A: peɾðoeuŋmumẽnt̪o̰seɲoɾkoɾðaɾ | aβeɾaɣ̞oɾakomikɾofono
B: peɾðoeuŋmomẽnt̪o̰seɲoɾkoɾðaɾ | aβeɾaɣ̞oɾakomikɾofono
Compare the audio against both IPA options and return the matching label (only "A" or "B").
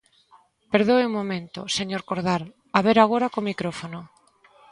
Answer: B